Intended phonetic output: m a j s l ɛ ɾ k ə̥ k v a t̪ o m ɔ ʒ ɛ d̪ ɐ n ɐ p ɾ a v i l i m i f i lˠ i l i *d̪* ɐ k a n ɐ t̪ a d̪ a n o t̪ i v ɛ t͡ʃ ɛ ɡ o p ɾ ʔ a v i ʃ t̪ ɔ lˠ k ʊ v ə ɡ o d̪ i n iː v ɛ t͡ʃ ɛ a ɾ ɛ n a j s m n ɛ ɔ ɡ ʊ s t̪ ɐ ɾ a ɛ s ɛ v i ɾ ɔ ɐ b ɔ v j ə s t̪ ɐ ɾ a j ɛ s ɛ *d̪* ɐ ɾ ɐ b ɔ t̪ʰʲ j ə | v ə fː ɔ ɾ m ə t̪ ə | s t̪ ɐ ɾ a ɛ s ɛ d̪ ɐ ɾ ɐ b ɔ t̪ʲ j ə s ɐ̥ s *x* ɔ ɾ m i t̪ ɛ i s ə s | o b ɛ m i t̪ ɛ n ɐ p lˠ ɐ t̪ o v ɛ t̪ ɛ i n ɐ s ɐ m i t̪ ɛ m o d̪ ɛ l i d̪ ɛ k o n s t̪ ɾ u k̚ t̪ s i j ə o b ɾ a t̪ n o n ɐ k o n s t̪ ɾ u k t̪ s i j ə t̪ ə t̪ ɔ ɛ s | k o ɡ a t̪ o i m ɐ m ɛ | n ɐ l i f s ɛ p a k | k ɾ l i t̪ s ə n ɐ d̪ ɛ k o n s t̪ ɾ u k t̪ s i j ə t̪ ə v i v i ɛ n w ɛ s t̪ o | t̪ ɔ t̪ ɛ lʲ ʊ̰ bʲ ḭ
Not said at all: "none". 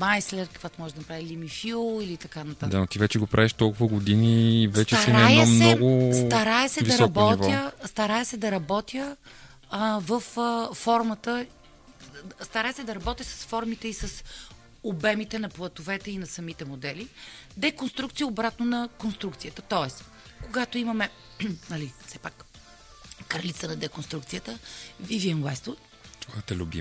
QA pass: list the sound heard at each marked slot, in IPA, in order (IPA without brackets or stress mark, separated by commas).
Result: t̪, d̪, f